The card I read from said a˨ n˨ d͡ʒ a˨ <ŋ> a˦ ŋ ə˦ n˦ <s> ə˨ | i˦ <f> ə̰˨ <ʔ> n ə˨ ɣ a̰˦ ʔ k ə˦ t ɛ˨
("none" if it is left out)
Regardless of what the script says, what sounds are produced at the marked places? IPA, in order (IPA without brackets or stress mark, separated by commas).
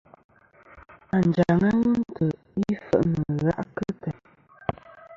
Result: ŋ, t, f, ʔ